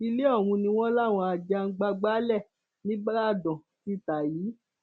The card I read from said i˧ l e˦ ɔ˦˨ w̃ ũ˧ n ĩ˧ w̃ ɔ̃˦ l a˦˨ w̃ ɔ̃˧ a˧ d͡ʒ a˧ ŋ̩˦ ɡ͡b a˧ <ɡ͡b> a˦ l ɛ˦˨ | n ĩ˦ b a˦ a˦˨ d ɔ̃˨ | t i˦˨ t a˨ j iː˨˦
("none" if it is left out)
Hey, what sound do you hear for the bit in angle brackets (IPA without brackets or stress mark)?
ɡ͡b